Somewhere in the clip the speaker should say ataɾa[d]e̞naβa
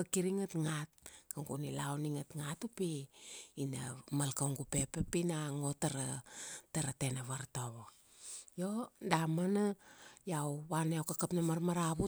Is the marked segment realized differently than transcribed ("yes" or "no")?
yes